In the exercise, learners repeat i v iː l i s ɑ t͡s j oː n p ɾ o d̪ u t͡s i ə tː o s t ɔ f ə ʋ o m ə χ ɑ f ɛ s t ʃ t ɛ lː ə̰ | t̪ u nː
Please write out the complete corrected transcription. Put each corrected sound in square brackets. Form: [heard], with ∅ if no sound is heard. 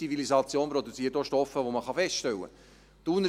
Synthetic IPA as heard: i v [i] l i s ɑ t͡s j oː n p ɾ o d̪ u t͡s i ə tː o [ʃ] t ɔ f ə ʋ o m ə χ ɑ f ɛ s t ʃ t ɛ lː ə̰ | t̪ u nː